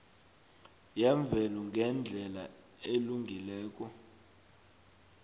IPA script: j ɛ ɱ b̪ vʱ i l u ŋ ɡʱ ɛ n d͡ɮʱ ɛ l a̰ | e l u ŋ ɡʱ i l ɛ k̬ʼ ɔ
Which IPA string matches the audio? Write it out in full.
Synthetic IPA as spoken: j ɛ ɱ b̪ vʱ ɛ l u ŋ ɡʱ ɛ n d͡ɮʱ ɛ l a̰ | e l u ŋ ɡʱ i l ɛː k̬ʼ ɔ